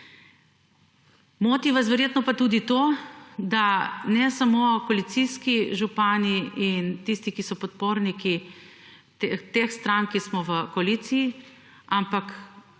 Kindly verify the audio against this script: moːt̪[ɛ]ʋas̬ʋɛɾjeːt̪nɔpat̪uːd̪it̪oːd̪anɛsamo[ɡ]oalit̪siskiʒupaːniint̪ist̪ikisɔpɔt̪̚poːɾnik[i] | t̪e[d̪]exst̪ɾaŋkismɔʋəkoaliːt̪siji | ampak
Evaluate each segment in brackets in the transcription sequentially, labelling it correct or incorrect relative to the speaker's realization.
incorrect, incorrect, correct, incorrect

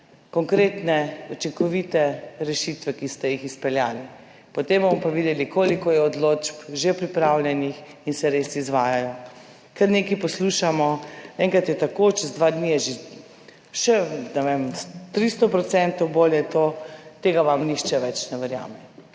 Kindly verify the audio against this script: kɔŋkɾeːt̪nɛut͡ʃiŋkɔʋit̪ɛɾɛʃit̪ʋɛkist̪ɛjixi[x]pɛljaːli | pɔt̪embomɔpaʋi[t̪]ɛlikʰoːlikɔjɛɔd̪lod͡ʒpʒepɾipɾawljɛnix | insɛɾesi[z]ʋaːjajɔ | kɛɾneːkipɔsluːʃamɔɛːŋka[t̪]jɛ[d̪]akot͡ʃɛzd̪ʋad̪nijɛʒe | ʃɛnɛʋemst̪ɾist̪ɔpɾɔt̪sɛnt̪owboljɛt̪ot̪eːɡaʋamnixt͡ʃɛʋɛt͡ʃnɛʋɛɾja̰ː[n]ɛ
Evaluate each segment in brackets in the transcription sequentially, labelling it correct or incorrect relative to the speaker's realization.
incorrect, incorrect, correct, correct, incorrect, incorrect

